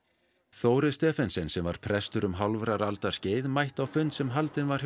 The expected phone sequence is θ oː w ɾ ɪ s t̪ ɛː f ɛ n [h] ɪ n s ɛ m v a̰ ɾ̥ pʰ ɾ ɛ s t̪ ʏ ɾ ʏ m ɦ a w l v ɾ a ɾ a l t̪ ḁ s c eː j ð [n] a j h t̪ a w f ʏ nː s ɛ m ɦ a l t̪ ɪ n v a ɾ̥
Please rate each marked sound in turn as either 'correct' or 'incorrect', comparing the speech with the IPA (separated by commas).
incorrect, incorrect